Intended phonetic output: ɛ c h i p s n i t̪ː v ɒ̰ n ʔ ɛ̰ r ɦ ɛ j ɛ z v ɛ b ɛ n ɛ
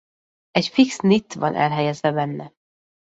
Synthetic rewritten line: ɛ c f i k s n i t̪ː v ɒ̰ n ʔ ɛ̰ l ɦ ɛ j ɛ z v ɛ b ɛ nː ɛ